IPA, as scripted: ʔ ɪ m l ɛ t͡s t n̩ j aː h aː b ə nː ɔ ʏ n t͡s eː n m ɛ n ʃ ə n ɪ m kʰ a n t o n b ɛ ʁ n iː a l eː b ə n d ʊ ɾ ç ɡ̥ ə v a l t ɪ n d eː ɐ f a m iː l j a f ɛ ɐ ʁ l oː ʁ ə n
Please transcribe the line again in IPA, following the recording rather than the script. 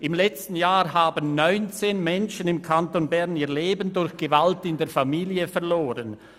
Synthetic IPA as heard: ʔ ɪ m l ɛ t͡s t n̩ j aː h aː b ə nː ɔ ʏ n t͡s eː n m ɛ n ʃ ə n ɪ m kʰ a n t o n b ɛ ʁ n iː ɐ l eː b ə n d ʊ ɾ ç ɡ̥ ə v a l t ɪ n d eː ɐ f a m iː l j ə f ɛ ɐ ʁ l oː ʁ ə n